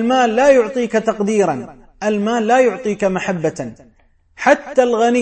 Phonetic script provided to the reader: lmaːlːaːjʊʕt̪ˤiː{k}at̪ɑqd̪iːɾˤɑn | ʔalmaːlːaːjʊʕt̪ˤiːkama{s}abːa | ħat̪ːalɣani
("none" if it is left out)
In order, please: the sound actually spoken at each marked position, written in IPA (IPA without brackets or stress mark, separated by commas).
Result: k, ħ